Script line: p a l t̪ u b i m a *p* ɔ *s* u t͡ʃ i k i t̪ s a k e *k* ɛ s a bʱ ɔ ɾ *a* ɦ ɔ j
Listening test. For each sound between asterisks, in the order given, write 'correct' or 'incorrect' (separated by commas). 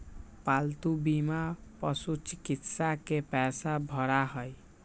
correct, correct, incorrect, correct